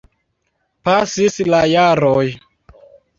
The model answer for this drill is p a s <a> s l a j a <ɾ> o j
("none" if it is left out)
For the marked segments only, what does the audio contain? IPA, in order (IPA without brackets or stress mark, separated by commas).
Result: i, ɾ